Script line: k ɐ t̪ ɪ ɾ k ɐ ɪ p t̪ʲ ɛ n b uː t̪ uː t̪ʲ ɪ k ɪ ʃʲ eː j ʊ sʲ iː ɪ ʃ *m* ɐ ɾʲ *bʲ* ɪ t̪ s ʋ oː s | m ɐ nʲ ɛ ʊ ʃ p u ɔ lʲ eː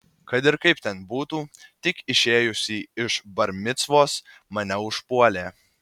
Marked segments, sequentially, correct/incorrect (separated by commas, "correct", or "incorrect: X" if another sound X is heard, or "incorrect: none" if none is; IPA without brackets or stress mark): incorrect: b, incorrect: mʲ